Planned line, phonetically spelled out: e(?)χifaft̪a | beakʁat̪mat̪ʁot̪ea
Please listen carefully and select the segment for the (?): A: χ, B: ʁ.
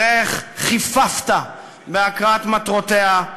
A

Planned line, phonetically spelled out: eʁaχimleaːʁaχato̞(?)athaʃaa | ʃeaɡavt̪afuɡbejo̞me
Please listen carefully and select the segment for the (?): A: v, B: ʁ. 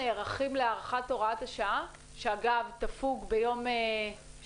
B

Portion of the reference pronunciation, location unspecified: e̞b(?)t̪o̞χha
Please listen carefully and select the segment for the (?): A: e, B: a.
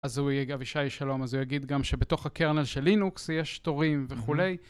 A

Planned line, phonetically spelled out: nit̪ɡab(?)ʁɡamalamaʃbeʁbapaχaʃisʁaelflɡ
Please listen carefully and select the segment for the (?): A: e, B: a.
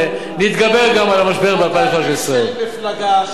A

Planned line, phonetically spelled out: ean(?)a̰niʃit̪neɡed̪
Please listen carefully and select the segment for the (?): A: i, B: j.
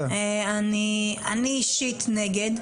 A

